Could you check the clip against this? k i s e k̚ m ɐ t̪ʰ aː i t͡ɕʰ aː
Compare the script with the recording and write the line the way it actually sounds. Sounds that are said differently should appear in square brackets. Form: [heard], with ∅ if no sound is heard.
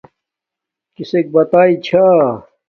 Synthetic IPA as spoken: k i s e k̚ [b] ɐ [t̪] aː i t͡ɕʰ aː